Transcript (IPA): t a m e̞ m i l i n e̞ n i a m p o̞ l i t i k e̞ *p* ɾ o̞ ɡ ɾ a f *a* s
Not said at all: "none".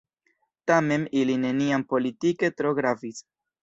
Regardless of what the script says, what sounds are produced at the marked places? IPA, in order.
t, i

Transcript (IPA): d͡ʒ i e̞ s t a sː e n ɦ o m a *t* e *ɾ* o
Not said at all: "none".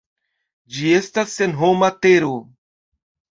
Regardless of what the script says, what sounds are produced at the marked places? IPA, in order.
t, ɾ

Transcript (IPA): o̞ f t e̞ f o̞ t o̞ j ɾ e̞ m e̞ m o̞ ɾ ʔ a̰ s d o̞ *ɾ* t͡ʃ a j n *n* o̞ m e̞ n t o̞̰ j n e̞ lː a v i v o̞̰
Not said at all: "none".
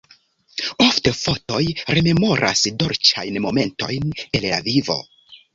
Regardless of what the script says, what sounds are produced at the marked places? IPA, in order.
ɾ, m

